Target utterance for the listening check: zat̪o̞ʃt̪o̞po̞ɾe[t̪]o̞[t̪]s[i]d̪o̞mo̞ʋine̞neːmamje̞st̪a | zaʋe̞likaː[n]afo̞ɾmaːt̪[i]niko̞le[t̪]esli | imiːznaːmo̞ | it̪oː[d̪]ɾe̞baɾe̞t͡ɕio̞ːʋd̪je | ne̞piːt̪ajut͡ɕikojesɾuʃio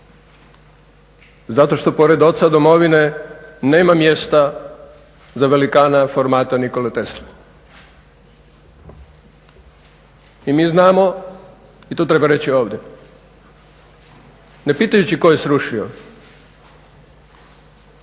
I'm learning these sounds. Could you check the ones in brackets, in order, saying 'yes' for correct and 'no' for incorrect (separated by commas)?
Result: no, yes, no, yes, no, yes, no